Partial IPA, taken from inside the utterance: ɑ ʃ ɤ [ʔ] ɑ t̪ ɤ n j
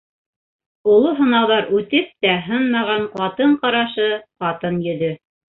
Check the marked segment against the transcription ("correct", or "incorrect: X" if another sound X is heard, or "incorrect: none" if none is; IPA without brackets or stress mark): incorrect: q